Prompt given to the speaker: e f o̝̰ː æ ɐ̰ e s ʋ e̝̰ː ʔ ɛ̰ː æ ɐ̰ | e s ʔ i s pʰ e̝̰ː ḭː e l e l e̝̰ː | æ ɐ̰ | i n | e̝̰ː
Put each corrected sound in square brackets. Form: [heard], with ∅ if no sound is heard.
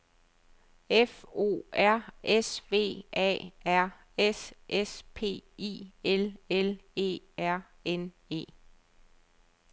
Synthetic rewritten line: e f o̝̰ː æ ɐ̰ e s ʋ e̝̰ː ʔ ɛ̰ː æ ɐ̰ | e s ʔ [e] s pʰ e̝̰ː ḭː e l e l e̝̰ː | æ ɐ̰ | [e] n | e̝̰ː